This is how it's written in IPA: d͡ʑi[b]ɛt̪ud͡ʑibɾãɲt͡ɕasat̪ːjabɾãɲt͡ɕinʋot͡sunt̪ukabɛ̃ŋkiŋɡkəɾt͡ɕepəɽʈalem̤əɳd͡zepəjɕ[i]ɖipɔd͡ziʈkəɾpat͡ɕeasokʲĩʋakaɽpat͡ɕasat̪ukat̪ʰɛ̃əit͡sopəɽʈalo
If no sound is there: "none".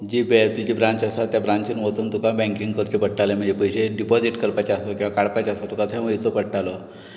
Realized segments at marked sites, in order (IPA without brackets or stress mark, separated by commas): b, e